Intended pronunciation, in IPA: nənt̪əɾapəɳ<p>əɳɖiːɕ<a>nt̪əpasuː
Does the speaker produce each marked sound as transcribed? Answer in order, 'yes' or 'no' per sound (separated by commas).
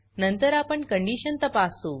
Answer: no, no